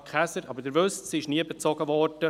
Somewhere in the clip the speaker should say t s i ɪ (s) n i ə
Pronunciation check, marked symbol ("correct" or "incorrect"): incorrect